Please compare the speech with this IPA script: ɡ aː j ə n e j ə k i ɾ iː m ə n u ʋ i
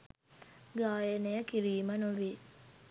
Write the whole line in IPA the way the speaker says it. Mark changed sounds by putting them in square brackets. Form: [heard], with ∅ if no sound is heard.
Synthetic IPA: ɡ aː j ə n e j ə k i ɾ iː m ə n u ʋ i